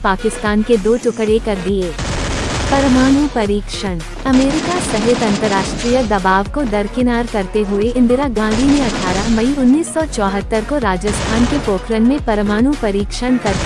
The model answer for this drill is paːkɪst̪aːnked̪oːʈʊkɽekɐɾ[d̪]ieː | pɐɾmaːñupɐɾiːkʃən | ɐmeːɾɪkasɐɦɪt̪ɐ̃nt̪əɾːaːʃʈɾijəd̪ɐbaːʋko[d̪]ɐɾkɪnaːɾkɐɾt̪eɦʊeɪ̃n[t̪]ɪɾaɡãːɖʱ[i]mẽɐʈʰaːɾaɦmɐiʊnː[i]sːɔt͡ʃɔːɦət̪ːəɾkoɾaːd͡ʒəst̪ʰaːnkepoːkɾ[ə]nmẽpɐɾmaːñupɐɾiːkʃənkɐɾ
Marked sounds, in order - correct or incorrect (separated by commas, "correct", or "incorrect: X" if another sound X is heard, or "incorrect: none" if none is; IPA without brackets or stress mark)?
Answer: correct, correct, incorrect: d̪, correct, incorrect: iː, correct